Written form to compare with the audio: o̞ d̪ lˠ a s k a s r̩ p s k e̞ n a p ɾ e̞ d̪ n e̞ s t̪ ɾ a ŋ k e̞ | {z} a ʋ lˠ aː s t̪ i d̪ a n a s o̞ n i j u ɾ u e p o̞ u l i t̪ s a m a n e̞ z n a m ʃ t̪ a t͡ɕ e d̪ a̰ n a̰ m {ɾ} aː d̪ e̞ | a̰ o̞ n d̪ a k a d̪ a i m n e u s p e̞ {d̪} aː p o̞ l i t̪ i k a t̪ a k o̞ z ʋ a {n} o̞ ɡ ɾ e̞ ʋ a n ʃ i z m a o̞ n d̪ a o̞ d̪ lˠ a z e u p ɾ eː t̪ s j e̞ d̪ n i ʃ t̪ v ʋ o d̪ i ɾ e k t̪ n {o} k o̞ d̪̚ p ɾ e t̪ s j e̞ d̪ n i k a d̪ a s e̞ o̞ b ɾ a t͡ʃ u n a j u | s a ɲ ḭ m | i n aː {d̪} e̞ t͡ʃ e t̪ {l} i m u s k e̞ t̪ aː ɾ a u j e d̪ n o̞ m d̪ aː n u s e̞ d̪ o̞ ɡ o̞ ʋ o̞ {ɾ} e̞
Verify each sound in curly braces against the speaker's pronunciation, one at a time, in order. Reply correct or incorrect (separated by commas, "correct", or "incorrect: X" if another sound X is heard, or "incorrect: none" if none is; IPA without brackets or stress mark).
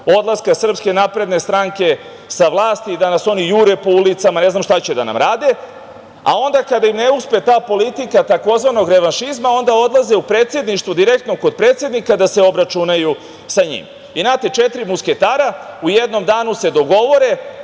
incorrect: s, correct, incorrect: t̪, correct, correct, incorrect: t̪, incorrect: ɾ, correct